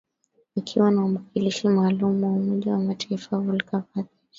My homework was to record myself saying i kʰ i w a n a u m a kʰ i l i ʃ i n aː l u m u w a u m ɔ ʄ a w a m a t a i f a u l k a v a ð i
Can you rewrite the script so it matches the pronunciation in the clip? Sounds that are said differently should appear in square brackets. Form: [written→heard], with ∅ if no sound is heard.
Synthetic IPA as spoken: i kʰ i w a n a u m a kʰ i l i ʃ i [n→m] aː l u m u w a u m ɔ ʄ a w a m a t a i f a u l k a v a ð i